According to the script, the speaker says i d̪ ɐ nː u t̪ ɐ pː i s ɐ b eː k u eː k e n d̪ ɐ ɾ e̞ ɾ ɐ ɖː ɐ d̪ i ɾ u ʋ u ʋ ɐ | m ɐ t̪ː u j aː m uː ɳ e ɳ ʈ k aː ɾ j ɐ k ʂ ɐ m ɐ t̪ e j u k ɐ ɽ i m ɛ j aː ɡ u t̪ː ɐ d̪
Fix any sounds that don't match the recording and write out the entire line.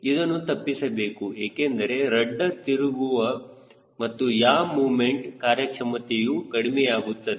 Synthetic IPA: i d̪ ɐ nː u t̪ ɐ pː i s ɐ b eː k u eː k e n d̪ ɐ ɾ e̞ ɾ ɐ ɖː ɐ t̪ i ɾ u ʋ u ʋ ɐ | m ɐ t̪ː u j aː m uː m e ɳ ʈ k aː ɾ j ɐ k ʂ ɐ m ɐ t̪ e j u k ɐ ɽ i m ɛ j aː ɡ u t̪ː ɐ d̪

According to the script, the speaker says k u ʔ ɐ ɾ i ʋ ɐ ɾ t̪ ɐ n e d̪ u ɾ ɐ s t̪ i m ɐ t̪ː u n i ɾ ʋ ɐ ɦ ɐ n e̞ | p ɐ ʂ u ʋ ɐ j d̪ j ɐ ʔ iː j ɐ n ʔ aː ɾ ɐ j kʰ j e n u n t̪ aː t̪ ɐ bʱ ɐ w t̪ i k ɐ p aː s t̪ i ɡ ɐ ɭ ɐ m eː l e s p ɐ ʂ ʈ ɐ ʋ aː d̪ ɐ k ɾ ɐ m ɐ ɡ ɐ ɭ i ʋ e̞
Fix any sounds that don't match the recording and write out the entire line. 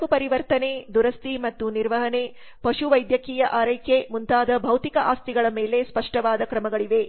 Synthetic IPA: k u p ɐ ɾ i ʋ ɐ ɾ t̪ ɐ n e d̪ u ɾ ɐ s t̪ i m ɐ t̪ː u n i ɾ ʋ ɐ ɦ ɐ n e̞ | p ɐ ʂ u ʋ ɐ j d̪ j ɐ k iː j ɐ ʔ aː ɾ ɐ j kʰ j e m u n t̪ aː d̪ ɐ bʱ ɐ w t̪ i k ɐ ʔ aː s t̪ i ɡ ɐ ɭ ɐ m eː l e s p ɐ ʂ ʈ ɐ ʋ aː d̪ ɐ k ɾ ɐ m ɐ ɡ ɐ ɭ i ʋ e̞

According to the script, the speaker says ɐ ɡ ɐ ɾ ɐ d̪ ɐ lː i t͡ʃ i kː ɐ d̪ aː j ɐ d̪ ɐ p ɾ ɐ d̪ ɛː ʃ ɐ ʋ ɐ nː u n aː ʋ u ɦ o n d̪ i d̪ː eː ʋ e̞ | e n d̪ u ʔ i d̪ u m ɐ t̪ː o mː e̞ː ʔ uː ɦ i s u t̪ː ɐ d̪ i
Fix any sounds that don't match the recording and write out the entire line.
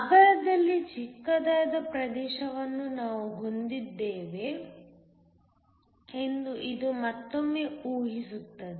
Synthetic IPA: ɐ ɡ ɐ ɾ ɐ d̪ ɐ lː i t͡ʃ i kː ɐ d̪ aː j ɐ d̪ ɐ p ɾ ɐ d̪ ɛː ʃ ɐ ʋ ɐ nː u n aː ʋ u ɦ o n d̪ i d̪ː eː ʋ e̞ | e n d̪ u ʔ i d̪ u m ɐ t̪ː o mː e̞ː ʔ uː ɦ i s u t̪ː ɐ d̪ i

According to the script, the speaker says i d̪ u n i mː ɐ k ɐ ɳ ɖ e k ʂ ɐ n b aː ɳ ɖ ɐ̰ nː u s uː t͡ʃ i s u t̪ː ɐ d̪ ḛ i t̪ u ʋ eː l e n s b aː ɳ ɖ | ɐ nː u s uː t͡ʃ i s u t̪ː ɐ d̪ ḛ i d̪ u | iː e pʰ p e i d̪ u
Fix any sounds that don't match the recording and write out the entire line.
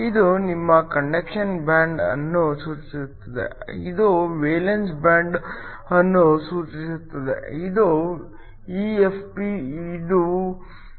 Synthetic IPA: i d̪ u n i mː ɐ k ɐ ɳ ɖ e k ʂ ɐ n b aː ɳ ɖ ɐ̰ nː u s uː t͡ʃ i s u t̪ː ɐ d̪ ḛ i d̪ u ʋ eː l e n s b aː ɳ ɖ | ɐ nː u s uː t͡ʃ i s u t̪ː ɐ d̪ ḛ i d̪ u | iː e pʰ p i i d̪ u

